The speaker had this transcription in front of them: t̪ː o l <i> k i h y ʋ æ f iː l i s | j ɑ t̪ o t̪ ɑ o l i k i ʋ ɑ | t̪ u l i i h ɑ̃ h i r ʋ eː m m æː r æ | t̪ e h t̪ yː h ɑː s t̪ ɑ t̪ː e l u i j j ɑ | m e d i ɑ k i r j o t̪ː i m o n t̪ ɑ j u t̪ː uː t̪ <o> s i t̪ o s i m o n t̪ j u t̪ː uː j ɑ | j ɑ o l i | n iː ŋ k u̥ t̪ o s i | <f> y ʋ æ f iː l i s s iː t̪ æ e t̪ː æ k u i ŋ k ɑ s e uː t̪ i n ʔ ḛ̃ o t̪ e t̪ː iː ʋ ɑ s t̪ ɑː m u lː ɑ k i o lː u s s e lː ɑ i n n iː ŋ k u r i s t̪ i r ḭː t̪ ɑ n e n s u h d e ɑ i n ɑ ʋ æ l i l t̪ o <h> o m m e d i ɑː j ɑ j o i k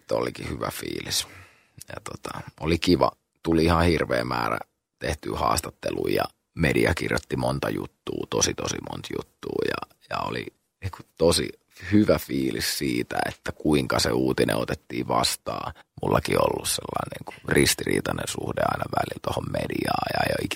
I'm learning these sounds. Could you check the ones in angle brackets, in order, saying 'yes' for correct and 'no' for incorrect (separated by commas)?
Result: yes, yes, no, yes